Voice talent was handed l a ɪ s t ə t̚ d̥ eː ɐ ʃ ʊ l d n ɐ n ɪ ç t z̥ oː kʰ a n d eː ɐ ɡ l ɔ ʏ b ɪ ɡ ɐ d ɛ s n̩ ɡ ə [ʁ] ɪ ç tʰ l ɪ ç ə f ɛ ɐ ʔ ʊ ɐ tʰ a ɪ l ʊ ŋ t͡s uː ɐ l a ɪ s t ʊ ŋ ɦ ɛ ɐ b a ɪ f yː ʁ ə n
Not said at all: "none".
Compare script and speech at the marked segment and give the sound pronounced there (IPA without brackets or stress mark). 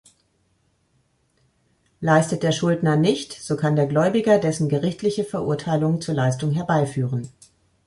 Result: ʁ